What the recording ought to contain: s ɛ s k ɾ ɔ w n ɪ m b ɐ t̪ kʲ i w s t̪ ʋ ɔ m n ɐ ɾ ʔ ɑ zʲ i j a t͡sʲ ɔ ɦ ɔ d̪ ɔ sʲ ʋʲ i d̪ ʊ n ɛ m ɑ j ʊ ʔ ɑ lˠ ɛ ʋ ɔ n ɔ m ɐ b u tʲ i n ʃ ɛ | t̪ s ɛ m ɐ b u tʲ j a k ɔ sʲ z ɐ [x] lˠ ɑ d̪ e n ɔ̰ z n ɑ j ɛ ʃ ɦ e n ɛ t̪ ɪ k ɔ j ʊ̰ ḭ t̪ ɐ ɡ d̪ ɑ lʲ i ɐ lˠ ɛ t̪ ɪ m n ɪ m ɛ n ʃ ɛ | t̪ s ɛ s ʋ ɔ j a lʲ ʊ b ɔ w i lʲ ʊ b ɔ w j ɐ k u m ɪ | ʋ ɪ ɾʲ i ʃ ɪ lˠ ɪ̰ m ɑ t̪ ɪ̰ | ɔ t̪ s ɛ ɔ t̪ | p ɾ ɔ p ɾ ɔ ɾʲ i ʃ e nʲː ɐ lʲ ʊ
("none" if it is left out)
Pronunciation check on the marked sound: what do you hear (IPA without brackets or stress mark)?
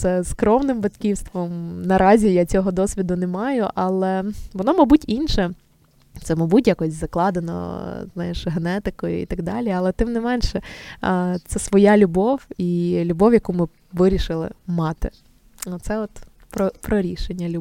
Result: k